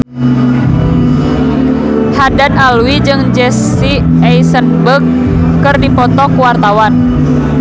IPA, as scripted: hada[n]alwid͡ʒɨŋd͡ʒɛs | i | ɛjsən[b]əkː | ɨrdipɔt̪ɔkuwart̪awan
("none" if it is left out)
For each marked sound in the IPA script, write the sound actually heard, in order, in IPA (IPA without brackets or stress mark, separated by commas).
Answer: n, b